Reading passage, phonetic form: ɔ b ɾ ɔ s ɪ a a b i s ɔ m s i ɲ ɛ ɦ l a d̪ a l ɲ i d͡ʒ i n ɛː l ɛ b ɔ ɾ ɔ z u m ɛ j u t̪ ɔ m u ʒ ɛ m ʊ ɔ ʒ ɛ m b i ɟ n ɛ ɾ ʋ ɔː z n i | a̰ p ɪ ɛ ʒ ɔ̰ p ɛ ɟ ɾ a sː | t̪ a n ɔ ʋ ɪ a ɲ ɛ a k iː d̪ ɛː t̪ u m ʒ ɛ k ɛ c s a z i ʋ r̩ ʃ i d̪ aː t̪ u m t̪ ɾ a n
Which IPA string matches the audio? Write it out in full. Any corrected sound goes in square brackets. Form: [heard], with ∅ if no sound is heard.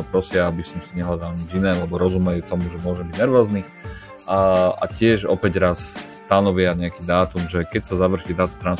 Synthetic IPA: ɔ [p] ɾ ɔ s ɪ a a b i s ɔ m s i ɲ ɛ ɦ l a d̪ a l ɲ i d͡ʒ i n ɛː l ɛ b ɔ ɾ ɔ z u m ɛ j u t̪ ɔ m u ʒ ɛ m ʊ ɔ ʒ ɛ m b i ɟ n ɛ ɾ ʋ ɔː z n i | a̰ [c] ɪ ɛ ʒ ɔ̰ p ɛ ɟ ɾ a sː | t̪ a n ɔ ʋ ɪ a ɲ ɛ a k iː d̪ [aː] t̪ u m ʒ ɛ k ɛ c s a z [a] ʋ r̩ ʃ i d̪ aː t̪ u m t̪ ɾ a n